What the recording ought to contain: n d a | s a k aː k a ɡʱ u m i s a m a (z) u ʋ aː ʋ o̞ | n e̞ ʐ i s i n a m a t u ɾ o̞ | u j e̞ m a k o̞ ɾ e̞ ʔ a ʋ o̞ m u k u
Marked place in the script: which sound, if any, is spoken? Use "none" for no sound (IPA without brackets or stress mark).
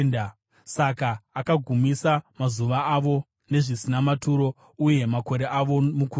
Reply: z